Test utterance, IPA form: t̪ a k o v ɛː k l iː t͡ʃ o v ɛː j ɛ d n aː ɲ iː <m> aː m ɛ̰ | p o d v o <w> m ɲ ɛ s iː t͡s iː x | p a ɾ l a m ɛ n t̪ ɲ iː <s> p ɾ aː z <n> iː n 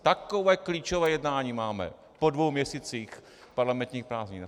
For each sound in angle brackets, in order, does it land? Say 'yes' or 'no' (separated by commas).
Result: yes, yes, no, no